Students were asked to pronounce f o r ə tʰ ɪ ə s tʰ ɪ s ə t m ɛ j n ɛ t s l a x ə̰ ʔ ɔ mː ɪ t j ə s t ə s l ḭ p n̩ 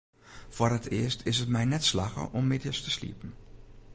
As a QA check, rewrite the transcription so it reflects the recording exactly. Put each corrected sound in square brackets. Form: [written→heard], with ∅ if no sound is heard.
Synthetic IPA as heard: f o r ə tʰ ɪ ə s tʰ ɪ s ə t m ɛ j n ɛ t s l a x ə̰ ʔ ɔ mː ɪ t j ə s t ə s l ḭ p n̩

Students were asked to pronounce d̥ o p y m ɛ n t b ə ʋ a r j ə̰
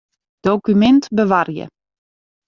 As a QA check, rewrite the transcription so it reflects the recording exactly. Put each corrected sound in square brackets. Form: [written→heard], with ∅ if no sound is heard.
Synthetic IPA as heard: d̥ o [p→k] y m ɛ n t b ə ʋ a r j ə̰

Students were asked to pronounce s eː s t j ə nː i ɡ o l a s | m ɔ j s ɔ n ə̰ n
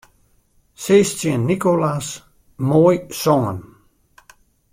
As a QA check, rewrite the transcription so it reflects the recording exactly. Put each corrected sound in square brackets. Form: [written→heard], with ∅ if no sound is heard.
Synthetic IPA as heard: s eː s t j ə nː i [ɡ→k] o l a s | m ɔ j s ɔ [n→ŋ] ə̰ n

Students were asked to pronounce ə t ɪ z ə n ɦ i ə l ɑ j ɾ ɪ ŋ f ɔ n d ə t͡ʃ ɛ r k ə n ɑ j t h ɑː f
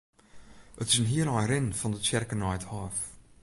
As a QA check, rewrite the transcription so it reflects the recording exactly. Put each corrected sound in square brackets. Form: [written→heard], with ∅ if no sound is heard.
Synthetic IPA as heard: ə t ɪ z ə n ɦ i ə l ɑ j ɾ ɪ [ŋ→n] f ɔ n d ə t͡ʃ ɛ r k ə n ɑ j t h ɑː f

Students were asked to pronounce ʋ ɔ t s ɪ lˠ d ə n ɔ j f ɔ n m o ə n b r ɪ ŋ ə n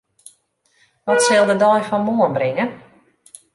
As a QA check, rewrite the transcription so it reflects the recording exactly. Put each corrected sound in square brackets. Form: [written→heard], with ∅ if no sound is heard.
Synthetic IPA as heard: ʋ ɔ t s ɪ lˠ d ə [n→d] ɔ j f ɔ n m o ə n b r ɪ ŋ ə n

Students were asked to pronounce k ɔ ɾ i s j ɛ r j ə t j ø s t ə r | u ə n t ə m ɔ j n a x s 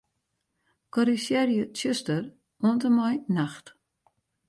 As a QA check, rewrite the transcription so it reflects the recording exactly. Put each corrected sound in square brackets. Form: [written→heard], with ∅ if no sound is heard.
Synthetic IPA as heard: k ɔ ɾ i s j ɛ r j ə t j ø s t ə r | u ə n t ə m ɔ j n a x [s→t]

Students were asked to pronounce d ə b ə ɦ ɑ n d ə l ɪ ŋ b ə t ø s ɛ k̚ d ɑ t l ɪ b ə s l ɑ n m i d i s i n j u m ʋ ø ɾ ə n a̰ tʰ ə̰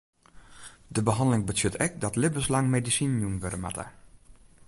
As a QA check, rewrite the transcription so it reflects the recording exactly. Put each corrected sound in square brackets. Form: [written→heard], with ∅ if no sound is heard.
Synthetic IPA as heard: d ə b ə ɦ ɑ n d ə l ɪ ŋ b ə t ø [s→t] ɛ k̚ d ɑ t l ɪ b ə s l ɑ [n→ŋ] m [i→e] d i s i n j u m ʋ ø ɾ ə [n→m] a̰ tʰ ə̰

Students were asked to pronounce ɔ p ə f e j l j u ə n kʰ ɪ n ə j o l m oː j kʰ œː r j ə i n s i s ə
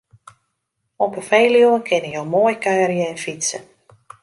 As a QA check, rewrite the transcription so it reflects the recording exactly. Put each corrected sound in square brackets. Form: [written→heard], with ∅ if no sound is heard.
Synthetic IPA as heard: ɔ p ə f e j l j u ə n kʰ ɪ n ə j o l m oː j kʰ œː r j ə [i→ɛ] n [s→f] i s ə

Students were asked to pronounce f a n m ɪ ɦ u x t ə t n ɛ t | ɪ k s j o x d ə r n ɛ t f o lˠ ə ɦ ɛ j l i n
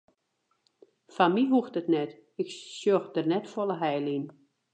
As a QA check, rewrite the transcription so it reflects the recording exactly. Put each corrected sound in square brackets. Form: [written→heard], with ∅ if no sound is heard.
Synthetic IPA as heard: f a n m [ɪ→i] ɦ u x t ə t n ɛ t | ɪ k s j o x d ə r n ɛ t f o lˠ ə ɦ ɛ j l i n

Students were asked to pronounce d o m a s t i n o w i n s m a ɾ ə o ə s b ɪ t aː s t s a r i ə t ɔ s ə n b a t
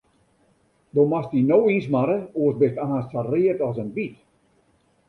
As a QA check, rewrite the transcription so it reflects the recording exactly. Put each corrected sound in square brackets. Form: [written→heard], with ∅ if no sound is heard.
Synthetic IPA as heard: d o m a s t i n o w i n s m a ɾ ə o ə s b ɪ t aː s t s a r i ə t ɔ s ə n b [a→i] t

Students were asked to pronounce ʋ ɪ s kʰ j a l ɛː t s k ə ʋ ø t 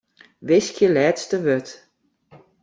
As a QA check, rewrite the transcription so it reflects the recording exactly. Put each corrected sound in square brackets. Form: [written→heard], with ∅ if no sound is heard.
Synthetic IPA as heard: ʋ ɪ s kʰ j [a→ə] l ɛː t s [k→t] ə ʋ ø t

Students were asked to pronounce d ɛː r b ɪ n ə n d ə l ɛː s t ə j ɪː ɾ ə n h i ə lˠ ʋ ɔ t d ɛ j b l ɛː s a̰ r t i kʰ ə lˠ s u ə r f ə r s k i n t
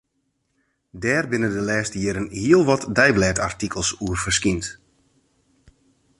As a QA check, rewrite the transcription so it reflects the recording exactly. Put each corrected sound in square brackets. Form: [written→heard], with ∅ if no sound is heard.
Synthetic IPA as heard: d ɛː r b ɪ n ə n d ə l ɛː s t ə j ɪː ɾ ə n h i ə lˠ ʋ ɔ t d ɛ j b l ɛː [s→t] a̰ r t i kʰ ə lˠ s u ə r f ə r s k i n t

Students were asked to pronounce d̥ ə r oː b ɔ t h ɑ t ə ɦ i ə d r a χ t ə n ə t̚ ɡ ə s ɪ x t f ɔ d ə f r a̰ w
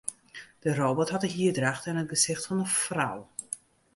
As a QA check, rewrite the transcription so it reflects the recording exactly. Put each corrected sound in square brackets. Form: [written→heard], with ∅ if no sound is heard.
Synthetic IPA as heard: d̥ ə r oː b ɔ t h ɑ t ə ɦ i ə d r a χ t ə n ə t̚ ɡ ə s ɪ x t f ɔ [d→n] ə f r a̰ w

